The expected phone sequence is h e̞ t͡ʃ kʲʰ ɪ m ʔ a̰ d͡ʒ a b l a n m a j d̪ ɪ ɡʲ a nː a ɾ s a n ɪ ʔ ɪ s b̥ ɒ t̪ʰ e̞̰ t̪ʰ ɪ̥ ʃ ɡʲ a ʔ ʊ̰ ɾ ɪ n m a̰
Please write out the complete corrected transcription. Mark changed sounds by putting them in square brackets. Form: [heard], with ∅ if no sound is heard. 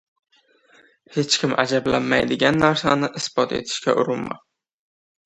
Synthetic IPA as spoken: h e̞ t͡ʃ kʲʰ ɪ m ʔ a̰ d͡ʒ a b l a n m a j d̪ ɪ ɡʲ a nː a ɾ s a n ɪ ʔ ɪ s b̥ ɒ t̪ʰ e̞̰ t̪ʰ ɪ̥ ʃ [kʲ] a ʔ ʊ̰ ɾ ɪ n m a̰